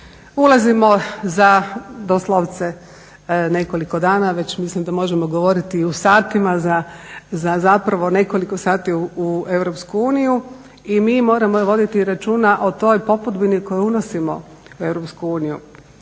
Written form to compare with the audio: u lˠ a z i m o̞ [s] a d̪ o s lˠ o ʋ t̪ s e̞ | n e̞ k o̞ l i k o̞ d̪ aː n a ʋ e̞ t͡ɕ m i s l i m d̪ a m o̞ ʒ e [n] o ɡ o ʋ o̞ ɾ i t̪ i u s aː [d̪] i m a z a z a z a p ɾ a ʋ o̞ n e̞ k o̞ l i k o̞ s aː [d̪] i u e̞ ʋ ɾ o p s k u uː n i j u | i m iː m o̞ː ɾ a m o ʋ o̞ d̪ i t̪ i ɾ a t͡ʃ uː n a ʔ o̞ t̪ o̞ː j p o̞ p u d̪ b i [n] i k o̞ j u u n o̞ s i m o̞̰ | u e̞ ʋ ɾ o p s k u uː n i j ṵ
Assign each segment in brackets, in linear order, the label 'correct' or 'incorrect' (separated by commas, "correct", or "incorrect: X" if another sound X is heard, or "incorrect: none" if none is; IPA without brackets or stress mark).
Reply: incorrect: z, incorrect: m, incorrect: t̪, incorrect: t̪, correct